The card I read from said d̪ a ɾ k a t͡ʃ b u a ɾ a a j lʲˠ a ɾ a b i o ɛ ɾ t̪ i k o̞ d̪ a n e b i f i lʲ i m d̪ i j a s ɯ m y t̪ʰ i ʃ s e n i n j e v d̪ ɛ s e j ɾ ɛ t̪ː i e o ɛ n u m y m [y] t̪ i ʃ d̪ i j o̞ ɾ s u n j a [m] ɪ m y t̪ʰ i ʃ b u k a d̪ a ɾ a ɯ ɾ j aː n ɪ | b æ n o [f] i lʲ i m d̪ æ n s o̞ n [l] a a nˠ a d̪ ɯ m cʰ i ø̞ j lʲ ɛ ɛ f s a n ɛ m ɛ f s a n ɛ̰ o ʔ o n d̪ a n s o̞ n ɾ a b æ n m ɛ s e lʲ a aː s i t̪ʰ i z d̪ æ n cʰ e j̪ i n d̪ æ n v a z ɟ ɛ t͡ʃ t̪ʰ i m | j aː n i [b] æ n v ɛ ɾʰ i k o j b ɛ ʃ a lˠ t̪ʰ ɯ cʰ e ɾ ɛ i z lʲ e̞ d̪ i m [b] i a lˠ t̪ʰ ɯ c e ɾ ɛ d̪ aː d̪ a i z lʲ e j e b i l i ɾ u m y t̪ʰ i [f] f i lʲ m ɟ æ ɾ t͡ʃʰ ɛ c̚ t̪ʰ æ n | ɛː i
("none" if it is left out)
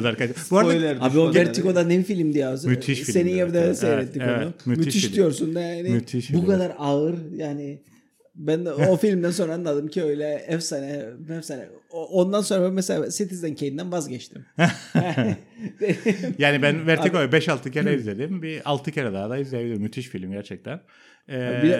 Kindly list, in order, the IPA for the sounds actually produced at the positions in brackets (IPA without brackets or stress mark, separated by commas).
y, n, f, ɾ, b, b, ʃ